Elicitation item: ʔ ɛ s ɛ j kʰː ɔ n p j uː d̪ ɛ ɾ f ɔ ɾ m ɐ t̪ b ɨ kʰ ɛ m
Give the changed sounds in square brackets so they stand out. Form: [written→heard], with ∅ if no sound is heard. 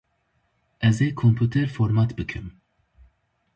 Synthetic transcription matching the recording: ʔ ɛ [s→z] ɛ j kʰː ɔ [n→m] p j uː [d̪→t̪] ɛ ɾ f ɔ ɾ m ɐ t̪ b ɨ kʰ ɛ m